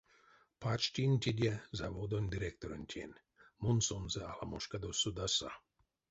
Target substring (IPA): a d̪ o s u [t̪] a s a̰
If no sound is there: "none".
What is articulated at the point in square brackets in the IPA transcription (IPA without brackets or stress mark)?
d̪